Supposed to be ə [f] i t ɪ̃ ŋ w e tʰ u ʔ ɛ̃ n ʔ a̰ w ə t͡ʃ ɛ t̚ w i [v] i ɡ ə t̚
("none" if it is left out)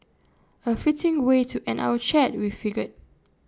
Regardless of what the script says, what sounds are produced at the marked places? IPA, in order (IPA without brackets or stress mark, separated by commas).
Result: f, f